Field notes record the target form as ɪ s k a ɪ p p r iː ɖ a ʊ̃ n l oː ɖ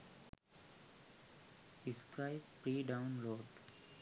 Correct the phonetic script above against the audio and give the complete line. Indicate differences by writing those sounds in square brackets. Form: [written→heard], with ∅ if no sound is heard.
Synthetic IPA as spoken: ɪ s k a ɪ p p [r→ɾ] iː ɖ a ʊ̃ n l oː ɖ